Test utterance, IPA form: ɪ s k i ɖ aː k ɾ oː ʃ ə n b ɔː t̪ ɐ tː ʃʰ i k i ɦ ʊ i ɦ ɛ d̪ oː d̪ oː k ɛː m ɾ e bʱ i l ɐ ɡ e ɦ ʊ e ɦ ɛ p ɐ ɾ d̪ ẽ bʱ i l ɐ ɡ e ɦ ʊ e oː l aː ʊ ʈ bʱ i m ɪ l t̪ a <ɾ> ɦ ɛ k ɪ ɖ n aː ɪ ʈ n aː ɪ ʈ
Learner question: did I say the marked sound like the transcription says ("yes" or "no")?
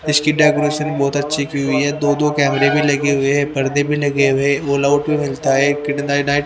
no